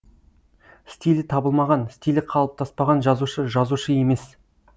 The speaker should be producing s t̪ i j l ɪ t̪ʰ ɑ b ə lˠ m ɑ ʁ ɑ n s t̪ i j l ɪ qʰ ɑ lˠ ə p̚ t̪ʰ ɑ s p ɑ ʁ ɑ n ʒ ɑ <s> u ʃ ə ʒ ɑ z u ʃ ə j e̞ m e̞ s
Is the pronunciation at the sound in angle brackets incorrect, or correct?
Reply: incorrect